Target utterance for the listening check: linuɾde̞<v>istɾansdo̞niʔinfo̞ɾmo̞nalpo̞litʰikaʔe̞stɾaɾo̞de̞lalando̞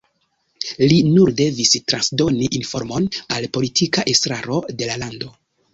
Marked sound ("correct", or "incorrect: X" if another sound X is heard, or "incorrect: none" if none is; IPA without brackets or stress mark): correct